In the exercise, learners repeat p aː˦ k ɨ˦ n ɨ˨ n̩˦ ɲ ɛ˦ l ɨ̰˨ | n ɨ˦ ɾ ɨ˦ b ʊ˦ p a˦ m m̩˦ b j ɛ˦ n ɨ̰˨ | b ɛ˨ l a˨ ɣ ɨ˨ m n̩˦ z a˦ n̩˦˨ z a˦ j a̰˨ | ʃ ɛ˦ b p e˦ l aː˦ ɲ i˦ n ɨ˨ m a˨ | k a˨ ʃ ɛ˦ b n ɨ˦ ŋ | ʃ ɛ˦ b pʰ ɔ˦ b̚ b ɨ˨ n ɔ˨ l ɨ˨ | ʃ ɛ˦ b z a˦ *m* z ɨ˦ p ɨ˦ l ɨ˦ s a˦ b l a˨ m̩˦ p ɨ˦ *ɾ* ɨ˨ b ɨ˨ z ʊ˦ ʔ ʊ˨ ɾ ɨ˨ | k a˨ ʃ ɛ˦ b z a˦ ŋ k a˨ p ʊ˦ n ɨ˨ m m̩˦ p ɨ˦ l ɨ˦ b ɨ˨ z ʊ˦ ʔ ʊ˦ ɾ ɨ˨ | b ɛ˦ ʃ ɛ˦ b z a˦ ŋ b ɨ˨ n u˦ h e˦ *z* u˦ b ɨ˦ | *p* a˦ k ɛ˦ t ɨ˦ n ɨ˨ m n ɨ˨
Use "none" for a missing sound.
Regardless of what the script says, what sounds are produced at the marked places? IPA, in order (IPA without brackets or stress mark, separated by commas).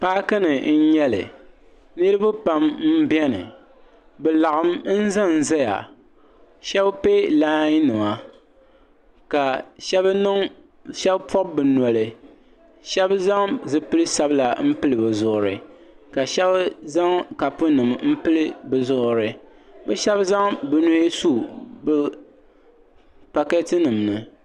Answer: ŋ, l, s, p